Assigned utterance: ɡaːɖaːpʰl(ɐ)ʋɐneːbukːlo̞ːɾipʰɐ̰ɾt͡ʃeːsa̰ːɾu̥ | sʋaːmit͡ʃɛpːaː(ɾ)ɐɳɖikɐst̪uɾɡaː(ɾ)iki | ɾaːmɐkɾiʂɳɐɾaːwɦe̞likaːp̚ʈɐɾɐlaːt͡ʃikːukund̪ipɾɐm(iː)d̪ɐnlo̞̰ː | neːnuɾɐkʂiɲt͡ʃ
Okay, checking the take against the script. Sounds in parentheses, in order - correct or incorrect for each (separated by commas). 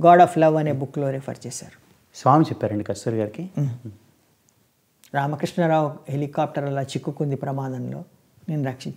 correct, correct, correct, incorrect